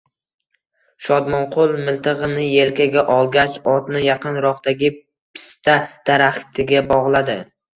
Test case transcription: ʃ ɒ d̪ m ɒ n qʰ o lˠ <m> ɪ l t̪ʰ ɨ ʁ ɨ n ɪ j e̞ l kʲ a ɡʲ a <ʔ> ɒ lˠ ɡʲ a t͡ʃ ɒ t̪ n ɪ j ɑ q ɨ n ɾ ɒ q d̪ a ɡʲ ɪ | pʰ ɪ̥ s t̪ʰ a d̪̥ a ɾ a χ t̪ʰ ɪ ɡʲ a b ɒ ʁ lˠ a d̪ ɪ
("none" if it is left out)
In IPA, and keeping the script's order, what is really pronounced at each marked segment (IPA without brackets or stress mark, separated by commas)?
m, ʔ